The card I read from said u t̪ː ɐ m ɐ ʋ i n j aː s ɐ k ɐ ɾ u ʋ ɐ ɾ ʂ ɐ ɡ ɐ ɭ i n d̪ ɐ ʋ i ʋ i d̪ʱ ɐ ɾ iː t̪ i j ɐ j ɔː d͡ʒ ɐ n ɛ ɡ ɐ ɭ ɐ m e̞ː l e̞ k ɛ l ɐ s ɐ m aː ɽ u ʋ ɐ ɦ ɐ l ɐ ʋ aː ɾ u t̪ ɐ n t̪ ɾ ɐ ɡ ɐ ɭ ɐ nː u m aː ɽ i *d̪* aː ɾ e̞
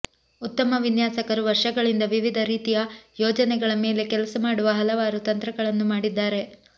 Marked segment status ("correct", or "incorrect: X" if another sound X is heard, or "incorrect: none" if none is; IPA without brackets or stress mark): incorrect: d̪ː